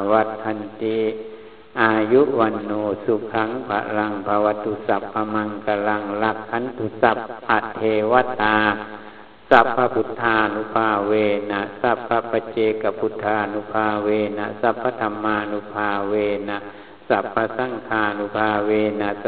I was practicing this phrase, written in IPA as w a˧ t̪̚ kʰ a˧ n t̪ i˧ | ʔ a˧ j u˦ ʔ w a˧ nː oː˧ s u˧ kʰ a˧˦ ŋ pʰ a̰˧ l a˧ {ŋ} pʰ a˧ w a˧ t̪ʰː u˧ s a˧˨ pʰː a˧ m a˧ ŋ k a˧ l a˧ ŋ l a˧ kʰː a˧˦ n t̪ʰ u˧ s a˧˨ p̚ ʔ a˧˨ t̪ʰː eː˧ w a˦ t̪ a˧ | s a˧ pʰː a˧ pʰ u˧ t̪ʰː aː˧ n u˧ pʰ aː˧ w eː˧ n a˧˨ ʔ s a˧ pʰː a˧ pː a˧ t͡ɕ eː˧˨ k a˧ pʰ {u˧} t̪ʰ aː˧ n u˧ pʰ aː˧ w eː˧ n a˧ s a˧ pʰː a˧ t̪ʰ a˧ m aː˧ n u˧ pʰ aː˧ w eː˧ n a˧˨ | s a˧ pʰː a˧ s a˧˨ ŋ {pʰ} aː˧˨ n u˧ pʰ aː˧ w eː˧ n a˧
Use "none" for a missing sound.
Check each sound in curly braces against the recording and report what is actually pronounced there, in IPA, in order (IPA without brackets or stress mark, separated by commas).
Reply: ŋ, u˧, kʰ